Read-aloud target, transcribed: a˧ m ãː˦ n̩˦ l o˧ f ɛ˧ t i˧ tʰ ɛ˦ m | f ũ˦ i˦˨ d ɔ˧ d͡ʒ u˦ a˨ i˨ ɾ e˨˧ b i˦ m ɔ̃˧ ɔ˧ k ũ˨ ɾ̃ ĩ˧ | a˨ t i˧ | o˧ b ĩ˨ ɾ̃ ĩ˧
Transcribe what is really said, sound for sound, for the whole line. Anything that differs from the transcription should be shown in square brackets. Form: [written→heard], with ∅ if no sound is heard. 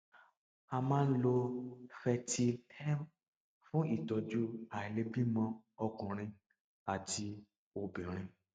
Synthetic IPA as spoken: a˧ m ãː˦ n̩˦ l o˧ f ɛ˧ t i˧ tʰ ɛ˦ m | f ũ˦ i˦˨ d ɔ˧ d͡ʒ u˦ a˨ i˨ [ɾ→l] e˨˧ b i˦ m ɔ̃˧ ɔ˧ k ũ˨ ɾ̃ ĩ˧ | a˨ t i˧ | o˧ b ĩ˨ ɾ̃ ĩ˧